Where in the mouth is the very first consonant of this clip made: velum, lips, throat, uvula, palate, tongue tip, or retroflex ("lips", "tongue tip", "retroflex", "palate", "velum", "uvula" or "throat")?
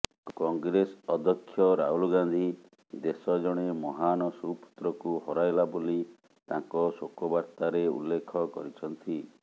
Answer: velum